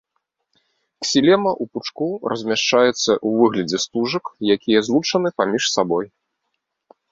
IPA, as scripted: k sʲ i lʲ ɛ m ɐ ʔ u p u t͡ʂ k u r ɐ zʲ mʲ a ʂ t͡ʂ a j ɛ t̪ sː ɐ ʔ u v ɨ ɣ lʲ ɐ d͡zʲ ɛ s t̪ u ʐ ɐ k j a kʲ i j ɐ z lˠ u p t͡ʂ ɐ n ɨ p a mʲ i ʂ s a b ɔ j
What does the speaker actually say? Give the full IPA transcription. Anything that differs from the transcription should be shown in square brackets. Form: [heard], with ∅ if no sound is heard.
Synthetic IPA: k sʲ i lʲ ɛ m ɐ ʔ u p u t͡ʂ k u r ɐ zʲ mʲ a ʂ t͡ʂ a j ɛ t̪ sː ɐ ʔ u v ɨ ɣ lʲ ɐ d͡zʲ ɛ s t̪ u ʐ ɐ k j a kʲ i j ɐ z lˠ u [∅] t͡ʂ ɐ n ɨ p a mʲ i ʂ s a b ɔ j